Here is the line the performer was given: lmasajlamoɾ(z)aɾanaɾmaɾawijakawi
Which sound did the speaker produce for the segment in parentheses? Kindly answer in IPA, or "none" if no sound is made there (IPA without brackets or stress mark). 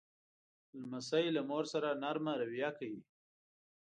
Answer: s